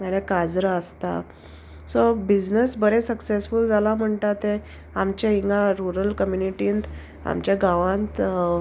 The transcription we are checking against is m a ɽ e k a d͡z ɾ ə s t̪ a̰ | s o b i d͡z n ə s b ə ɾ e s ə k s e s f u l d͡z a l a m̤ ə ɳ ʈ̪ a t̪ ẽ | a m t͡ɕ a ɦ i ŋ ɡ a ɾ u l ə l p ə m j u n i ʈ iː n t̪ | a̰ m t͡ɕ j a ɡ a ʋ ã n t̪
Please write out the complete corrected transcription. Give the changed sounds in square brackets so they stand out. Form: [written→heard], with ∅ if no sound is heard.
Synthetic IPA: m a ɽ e k a d͡z ɾ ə s t̪ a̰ | s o b i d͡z n ə s b ə ɾ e s ə k s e s f u l d͡z a l a m̤ ə ɳ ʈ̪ a t̪ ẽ | a m t͡ɕ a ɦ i ŋ ɡ a ɾ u [l→ɾ] ə l [p→k] ə m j u n i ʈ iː n t̪ | a̰ m t͡ɕ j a ɡ a ʋ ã n t̪